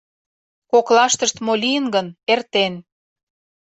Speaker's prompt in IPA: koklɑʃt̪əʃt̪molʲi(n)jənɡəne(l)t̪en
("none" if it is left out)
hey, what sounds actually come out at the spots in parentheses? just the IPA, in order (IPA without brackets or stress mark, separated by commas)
none, r